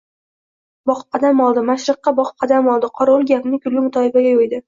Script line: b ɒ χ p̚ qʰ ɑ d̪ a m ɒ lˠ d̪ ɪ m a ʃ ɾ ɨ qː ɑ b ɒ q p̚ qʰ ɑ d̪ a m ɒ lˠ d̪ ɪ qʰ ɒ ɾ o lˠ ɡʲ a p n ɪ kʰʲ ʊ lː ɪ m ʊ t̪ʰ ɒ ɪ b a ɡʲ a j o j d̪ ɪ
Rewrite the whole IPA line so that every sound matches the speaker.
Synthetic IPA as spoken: b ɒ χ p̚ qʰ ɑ d̪ a m ɒ lˠ d̪ ɪ m a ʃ ɾ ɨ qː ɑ b ɒ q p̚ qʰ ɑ d̪ a m ɒ lˠ d̪ ɪ qʰ ɒ ɾ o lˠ ɡʲ a p n ɪ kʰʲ ʊ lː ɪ m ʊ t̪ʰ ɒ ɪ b a ɡʲ a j o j d̪ ɪ